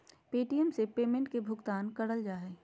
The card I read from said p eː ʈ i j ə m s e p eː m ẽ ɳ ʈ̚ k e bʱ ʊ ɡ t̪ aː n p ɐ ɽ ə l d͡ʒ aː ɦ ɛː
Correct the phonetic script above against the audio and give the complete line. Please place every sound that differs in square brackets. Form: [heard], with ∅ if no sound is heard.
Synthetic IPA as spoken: p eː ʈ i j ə m s e p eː m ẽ ɳ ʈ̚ k e bʱ ʊ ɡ t̪ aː n [k] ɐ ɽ ə l d͡ʒ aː ɦ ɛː